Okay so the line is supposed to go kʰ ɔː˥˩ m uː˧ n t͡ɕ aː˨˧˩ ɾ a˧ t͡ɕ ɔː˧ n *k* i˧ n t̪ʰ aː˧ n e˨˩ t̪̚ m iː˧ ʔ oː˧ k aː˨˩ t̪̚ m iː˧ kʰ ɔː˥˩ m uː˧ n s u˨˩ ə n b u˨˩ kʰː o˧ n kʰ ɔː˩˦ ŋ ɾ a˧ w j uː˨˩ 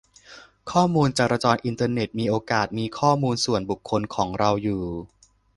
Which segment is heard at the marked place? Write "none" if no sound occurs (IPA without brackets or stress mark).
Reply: ʔ